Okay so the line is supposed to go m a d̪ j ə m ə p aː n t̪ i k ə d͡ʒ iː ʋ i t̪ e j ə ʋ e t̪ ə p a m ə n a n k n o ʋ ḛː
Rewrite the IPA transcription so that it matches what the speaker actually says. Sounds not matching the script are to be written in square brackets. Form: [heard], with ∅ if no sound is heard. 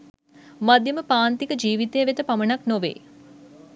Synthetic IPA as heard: m a d̪ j ə m ə p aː n t̪ i k ə d͡ʒ iː ʋ i t̪ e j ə ʋ e t̪ ə p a m ə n a [∅] k n o ʋ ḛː